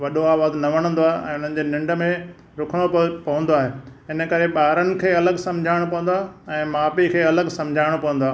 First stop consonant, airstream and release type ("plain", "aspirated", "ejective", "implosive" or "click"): implosive